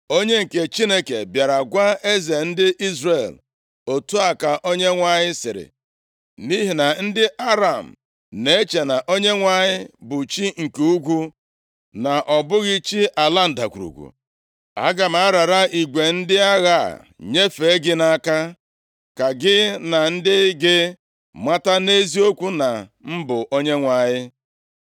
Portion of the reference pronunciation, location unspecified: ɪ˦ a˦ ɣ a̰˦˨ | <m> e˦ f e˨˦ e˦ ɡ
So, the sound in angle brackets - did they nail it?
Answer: no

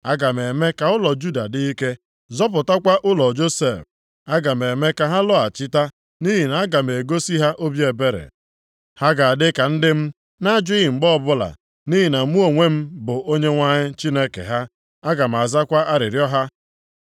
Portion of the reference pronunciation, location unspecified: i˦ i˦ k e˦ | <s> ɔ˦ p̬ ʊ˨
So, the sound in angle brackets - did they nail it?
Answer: no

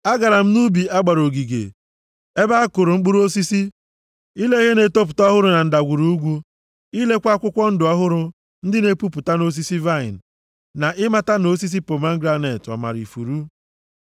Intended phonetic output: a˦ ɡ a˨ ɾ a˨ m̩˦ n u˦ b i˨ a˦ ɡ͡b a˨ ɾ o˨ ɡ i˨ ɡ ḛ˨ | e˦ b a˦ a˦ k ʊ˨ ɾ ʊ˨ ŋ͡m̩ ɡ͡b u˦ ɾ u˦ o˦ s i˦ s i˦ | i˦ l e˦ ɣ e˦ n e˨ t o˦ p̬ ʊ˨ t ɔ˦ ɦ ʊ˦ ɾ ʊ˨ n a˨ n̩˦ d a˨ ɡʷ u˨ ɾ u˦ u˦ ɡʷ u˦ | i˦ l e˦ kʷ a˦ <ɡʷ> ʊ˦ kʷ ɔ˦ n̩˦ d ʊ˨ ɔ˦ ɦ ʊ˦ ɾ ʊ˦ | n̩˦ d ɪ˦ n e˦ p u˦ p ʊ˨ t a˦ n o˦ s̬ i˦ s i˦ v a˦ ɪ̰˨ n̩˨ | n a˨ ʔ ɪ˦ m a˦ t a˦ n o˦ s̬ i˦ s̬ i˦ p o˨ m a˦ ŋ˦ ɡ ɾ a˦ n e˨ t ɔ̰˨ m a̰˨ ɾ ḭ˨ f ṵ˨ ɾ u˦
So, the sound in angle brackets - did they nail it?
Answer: no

